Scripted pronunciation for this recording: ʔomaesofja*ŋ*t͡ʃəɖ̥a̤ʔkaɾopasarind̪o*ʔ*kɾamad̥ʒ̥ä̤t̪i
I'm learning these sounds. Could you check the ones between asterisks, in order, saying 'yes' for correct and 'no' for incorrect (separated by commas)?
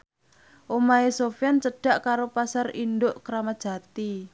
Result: no, yes